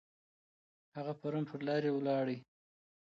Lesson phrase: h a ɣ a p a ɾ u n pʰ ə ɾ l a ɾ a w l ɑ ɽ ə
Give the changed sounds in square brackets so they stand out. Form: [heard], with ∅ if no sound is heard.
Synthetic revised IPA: h a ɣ a p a ɾ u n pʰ ə ɾ l [ɑ] ɾ [e] w l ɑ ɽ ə